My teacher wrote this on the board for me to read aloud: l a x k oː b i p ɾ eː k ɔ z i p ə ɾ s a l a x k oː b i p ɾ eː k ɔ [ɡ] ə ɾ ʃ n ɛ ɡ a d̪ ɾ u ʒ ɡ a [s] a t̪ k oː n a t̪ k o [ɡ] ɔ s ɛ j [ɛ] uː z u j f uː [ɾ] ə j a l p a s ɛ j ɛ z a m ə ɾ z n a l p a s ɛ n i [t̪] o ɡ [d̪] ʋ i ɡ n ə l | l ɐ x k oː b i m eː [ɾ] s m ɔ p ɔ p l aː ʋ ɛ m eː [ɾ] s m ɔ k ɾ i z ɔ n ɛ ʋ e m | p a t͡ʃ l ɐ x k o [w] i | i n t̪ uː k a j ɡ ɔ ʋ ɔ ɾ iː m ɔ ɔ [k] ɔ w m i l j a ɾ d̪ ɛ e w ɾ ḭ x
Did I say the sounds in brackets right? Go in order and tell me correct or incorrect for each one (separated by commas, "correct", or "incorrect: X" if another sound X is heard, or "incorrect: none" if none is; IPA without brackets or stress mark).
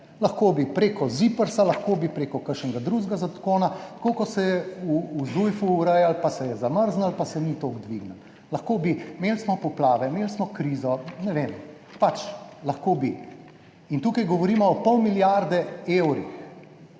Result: incorrect: k, incorrect: z, incorrect: k, correct, correct, correct, correct, incorrect: l, incorrect: l, incorrect: b, incorrect: p